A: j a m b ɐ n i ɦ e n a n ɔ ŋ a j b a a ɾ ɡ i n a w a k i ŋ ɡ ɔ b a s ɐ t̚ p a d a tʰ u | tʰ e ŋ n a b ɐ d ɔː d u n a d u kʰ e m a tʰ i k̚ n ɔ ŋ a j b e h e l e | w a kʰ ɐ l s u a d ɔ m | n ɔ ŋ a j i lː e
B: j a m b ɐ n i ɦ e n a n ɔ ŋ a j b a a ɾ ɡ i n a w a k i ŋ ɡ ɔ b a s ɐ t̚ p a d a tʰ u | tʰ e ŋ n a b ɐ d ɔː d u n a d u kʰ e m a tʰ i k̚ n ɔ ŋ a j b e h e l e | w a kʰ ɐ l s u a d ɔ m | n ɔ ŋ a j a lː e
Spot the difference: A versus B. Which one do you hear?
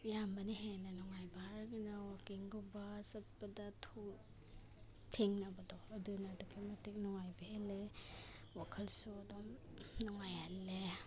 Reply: B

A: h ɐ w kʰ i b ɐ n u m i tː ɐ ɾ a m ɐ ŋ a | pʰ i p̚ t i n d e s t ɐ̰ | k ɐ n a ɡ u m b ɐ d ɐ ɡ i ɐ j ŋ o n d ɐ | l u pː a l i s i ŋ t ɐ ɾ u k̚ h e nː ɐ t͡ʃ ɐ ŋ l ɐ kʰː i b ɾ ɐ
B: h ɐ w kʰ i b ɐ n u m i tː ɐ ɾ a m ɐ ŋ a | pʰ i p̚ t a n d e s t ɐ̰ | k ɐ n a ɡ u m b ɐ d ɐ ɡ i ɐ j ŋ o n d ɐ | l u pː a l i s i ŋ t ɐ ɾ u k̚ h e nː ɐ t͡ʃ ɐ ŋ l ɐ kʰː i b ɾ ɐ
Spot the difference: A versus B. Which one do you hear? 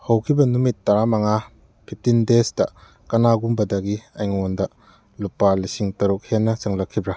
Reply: A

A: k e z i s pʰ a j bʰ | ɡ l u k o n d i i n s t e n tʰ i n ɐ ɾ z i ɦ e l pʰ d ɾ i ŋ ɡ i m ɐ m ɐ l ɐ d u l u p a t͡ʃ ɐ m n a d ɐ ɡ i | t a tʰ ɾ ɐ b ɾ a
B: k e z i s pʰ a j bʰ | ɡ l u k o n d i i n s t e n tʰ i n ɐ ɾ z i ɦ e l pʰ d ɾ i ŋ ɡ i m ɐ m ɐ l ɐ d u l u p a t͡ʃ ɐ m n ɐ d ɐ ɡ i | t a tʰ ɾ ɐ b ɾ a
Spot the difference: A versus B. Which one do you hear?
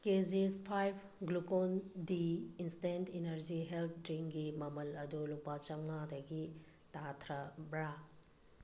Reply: A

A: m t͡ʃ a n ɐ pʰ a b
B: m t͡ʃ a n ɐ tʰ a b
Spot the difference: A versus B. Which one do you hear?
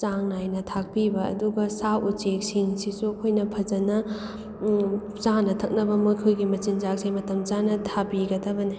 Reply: B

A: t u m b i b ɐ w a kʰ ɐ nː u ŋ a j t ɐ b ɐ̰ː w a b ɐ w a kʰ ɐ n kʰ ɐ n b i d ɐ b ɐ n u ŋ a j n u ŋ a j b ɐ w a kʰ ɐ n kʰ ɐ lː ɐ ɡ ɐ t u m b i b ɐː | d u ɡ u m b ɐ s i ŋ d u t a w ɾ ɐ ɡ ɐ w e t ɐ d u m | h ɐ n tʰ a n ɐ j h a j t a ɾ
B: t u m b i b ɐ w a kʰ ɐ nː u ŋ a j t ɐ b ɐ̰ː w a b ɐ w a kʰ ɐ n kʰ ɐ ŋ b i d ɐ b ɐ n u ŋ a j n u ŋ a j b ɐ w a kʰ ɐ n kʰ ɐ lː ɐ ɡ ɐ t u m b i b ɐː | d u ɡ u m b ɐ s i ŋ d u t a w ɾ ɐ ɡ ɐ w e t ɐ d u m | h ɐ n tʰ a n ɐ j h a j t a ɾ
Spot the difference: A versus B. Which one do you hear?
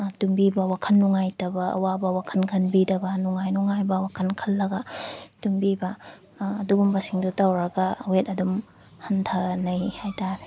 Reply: A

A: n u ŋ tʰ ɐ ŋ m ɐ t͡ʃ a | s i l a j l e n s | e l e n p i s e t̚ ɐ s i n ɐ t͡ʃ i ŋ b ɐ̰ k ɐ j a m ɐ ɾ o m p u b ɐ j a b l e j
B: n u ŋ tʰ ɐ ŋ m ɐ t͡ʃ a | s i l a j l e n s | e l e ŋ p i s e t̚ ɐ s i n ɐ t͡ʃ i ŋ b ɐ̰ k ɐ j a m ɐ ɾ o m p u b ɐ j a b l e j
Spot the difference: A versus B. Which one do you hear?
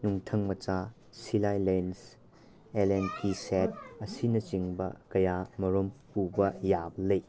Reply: A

